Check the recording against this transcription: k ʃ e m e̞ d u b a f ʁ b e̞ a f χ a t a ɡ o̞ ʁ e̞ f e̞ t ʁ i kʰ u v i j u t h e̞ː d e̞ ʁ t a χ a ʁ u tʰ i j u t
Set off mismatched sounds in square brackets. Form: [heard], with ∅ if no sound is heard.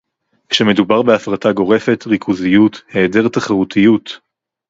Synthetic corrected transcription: k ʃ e m e̞ d u b a [∅] ʁ b e̞ a f [ʁ] a t a ɡ o̞ ʁ e̞ f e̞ t ʁ i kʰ u [z] i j u t h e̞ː d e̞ ʁ t a χ a ʁ u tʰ i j u t